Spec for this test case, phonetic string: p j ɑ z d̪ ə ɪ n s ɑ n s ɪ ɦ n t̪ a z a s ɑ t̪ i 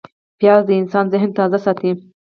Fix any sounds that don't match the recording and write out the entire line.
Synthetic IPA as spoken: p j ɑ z d̪ ə ɪ n s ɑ n z ɪ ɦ n t̪ ɑ z a s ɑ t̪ i